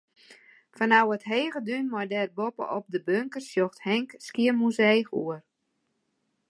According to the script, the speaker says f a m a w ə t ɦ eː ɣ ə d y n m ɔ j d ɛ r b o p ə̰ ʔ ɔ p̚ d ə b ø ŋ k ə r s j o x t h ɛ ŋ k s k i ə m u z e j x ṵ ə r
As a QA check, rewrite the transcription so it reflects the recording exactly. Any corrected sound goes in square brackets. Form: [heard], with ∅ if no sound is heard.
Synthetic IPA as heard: f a [n] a w ə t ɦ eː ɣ ə d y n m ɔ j d ɛ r b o p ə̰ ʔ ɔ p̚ d ə b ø ŋ k ə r s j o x t h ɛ ŋ k s k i ə m u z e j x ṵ ə r